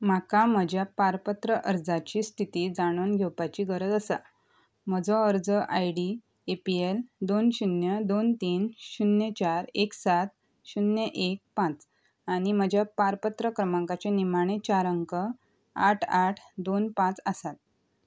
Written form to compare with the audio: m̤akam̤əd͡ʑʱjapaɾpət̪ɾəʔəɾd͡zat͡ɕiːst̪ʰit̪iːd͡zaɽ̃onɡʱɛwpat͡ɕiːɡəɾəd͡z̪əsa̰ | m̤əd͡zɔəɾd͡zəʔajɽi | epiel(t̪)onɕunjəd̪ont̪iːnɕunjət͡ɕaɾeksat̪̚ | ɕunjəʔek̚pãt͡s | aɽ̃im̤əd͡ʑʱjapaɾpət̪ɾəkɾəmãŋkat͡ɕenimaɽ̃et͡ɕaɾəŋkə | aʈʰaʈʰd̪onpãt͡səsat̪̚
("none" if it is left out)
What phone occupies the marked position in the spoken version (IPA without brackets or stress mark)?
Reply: d̪